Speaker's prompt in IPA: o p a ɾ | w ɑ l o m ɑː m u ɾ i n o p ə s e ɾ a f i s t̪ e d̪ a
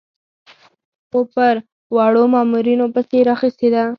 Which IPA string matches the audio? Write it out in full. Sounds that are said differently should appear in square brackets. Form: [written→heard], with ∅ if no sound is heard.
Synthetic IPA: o p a ɾ | w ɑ [l→ɽ] o m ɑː m u ɾ i n o p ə s e ɾ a [f→x] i s t̪ e d̪ a